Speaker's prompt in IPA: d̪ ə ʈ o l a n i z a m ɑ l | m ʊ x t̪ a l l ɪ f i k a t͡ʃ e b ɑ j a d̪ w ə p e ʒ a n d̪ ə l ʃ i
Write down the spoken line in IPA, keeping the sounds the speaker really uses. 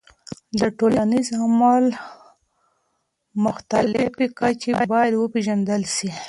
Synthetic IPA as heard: d̪ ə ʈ o l a n i z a m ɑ l | m ʊ x t̪ a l l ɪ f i k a t͡ʃ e b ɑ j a d̪ w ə p e ʒ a n d̪ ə l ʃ i